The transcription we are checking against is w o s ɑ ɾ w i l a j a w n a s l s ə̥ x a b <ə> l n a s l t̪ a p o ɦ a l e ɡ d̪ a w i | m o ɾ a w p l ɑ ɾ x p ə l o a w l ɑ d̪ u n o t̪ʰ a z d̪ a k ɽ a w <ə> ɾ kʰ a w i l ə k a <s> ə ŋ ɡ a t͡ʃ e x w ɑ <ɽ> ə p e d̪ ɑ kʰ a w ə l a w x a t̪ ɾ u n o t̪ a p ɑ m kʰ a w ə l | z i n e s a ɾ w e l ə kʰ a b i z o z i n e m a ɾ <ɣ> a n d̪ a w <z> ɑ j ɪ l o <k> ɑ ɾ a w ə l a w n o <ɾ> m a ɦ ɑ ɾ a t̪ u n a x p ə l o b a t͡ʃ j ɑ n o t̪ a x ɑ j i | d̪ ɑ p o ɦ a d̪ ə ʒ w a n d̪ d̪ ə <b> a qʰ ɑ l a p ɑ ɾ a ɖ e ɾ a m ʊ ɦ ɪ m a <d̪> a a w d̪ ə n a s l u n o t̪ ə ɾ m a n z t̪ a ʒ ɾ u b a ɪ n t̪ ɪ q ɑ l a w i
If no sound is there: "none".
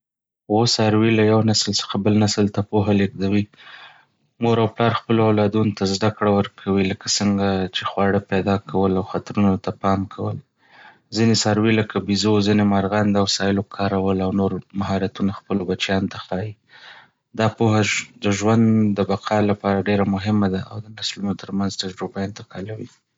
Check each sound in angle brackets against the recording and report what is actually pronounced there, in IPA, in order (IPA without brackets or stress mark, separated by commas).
ə, ə, s, ɽ, ɣ, s, kʰ, ɾ, b, d̪